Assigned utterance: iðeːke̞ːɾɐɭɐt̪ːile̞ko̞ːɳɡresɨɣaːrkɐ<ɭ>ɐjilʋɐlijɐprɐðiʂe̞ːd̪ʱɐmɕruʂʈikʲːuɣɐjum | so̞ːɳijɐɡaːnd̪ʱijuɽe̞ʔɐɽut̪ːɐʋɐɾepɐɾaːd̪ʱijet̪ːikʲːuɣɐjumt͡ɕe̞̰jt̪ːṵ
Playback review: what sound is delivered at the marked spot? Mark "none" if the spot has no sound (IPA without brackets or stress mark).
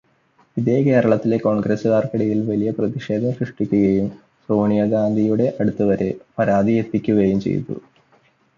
ɽ